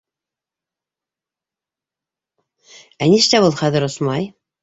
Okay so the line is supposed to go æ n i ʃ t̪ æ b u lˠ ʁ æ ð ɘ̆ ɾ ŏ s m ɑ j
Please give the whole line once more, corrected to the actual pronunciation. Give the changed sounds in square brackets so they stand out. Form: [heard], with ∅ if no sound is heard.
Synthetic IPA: æ n i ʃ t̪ æ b u lˠ [χ] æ ð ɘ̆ ɾ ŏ s m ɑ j